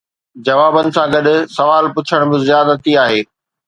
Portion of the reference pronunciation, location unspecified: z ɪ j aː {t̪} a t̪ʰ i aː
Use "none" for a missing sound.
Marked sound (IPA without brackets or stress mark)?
d̪